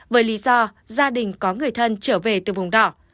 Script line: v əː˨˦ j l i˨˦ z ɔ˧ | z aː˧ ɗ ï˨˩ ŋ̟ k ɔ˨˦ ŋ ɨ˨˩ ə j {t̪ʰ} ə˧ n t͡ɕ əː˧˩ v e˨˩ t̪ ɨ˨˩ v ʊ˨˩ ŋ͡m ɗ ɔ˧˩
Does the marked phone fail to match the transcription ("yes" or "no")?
no